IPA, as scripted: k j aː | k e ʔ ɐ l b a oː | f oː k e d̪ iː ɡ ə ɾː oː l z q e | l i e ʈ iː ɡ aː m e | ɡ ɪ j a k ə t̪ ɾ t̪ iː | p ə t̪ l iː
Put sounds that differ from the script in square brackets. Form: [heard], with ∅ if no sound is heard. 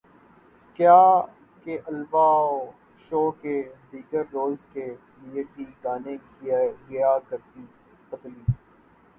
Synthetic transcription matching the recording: k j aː | k e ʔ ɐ l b a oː | [ʃ] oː k e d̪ iː ɡ ə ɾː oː l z [k] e | l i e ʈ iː ɡ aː [n] e | ɡ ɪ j a k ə [∅] ɾ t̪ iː | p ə t̪ l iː